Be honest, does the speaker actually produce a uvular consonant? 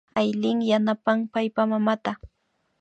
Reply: no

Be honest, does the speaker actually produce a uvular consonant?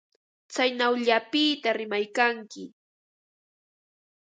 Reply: no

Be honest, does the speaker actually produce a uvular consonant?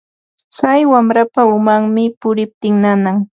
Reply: no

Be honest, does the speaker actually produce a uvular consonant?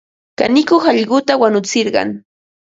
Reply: yes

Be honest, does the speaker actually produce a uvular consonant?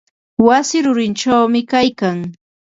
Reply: no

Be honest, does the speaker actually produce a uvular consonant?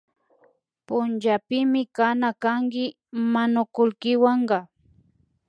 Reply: yes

